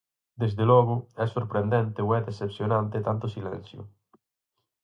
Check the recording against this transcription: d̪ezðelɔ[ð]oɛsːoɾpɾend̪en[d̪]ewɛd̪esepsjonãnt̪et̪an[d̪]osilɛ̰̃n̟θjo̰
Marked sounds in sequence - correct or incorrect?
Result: incorrect: ɣ, incorrect: t̪, incorrect: t̪

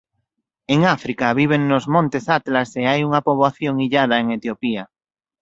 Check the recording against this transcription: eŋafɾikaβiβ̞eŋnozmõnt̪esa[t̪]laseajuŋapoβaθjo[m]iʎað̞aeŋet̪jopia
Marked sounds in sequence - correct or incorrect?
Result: correct, incorrect: ŋ

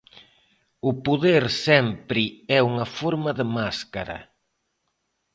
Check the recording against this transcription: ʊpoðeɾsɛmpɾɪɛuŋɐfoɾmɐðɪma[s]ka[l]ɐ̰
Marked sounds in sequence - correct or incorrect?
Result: correct, incorrect: ɾ

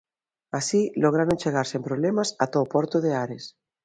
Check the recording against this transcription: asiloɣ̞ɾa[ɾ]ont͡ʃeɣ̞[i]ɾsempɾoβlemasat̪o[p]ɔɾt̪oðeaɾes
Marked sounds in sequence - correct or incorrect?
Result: correct, incorrect: a, correct

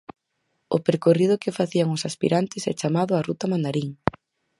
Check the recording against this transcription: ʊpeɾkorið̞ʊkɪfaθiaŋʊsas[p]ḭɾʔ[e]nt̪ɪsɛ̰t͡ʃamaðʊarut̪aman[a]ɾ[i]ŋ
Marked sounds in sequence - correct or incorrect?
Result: correct, incorrect: a, correct, correct

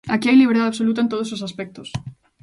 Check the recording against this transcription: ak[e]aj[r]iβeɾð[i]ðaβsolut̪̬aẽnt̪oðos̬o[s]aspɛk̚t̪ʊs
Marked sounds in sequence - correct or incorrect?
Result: incorrect: i, incorrect: l, incorrect: a, correct

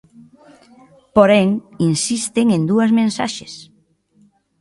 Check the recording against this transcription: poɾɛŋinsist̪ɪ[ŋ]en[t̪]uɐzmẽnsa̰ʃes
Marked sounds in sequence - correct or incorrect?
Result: correct, incorrect: d̪

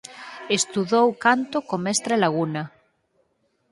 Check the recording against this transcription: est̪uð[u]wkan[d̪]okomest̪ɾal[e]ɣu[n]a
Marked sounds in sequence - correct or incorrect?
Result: incorrect: o, incorrect: t̪, incorrect: a, correct

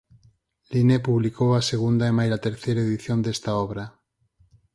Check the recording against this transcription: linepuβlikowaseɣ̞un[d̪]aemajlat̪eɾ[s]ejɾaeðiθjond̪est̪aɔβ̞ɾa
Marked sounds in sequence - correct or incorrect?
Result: correct, incorrect: θ

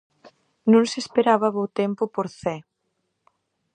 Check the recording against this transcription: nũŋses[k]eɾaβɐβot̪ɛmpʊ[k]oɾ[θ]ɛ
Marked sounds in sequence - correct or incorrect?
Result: incorrect: p, incorrect: p, correct

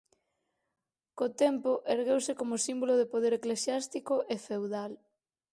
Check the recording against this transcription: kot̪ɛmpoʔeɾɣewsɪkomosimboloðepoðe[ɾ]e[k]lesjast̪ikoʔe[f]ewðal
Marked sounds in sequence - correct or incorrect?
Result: correct, correct, correct

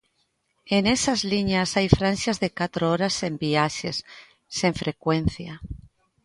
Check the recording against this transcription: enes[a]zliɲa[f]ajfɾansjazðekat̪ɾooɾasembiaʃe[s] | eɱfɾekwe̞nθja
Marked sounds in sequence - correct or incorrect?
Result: correct, incorrect: s, incorrect: sː

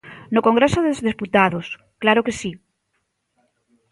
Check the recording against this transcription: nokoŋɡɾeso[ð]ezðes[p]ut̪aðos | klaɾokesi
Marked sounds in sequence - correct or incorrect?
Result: correct, correct

